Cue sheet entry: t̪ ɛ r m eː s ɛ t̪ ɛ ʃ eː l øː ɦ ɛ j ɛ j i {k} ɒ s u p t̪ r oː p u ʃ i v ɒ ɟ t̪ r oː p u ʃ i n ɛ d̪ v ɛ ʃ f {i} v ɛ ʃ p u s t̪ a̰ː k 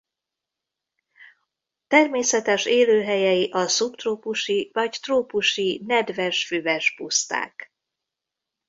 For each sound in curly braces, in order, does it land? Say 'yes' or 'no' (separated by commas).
no, no